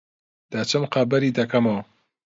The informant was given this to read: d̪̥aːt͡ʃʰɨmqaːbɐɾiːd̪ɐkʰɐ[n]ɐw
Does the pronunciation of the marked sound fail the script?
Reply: yes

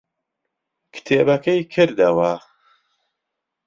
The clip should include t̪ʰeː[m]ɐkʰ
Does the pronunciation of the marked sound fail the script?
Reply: yes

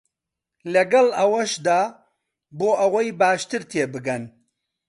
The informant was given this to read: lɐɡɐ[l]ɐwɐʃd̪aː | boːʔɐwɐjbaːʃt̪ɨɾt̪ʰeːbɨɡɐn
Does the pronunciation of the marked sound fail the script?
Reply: no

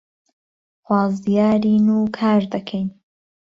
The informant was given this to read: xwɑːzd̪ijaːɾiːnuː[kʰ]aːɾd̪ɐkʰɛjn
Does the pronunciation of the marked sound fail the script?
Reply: no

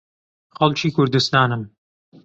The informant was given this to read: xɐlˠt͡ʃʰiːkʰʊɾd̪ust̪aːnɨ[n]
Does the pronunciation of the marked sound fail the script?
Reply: yes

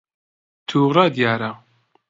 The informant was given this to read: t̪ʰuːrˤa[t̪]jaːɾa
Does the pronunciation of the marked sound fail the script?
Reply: yes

